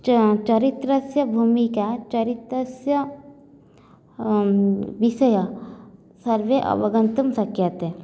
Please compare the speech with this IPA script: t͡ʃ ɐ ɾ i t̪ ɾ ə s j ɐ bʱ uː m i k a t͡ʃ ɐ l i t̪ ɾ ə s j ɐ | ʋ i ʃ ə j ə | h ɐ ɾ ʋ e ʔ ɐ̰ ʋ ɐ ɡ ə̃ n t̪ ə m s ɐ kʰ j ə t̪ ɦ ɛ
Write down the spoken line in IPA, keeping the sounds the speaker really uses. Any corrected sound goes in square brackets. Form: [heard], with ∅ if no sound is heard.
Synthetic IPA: t͡ʃ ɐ ɾ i t̪ ɾ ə s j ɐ bʱ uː m i k a t͡ʃ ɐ [ɾ] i t̪ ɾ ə s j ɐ | ʋ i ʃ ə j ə | [s] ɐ ɾ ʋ e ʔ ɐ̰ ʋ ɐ ɡ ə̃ n t̪ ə m s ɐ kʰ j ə t̪ ɦ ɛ